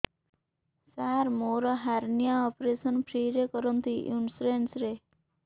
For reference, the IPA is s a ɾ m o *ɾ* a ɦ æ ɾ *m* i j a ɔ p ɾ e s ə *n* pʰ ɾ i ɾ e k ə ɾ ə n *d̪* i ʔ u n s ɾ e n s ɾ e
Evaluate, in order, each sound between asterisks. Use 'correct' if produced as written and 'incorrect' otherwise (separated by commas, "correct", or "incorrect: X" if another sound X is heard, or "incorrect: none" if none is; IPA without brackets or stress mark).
correct, incorrect: n, correct, incorrect: t̪